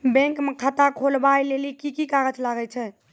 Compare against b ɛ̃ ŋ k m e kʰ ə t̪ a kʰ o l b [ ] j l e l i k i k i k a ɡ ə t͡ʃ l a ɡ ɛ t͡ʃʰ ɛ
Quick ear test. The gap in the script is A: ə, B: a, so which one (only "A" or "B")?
B